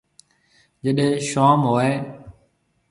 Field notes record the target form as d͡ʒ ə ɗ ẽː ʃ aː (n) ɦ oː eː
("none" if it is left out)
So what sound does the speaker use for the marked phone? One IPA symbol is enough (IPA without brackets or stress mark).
m